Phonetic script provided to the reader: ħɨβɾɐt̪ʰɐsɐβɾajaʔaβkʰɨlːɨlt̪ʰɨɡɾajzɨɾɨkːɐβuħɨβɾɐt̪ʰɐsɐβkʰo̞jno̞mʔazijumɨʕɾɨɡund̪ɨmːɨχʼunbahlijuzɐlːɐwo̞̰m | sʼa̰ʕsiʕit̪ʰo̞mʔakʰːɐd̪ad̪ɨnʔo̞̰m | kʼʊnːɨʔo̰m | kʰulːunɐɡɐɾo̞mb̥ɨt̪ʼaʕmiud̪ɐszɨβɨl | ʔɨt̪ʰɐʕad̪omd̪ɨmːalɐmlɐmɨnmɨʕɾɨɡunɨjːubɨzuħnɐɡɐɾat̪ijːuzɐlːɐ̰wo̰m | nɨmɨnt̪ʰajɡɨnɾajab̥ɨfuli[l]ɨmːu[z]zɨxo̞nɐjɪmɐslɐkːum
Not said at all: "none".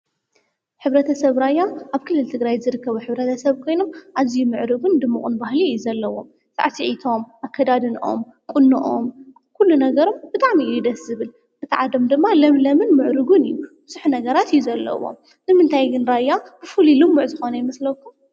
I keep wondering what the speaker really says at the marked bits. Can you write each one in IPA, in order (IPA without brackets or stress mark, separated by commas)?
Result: l, ʕ